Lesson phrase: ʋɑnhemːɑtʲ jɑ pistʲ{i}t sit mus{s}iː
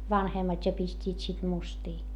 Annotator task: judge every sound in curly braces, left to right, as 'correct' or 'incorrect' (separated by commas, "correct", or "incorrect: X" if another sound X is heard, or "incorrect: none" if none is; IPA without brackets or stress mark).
incorrect: iː, incorrect: t